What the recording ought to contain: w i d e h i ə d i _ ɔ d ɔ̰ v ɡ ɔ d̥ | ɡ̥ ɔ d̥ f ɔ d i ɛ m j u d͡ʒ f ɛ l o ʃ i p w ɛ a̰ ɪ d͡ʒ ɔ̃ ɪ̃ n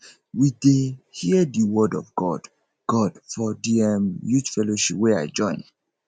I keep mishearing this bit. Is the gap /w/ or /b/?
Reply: w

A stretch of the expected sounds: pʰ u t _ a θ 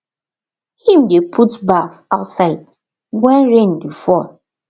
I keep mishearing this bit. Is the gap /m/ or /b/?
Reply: b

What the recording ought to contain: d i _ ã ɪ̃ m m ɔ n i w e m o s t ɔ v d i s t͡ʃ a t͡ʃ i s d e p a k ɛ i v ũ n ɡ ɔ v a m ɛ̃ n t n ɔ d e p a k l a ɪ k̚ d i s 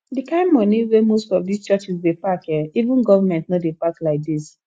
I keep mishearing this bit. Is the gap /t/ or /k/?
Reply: k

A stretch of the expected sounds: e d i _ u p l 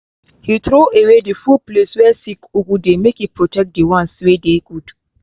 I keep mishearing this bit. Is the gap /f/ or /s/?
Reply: f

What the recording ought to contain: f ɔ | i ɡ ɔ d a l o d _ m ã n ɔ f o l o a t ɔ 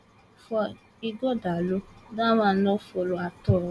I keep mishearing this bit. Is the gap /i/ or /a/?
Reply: a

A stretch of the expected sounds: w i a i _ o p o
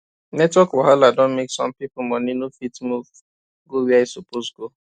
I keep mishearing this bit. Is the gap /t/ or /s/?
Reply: s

